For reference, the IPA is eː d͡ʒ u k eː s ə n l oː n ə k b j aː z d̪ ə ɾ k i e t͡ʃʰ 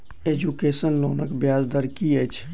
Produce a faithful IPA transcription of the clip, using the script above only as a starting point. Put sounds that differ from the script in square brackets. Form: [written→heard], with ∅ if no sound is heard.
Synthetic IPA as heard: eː d͡ʒ u k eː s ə n l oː n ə k b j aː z d̪ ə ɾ k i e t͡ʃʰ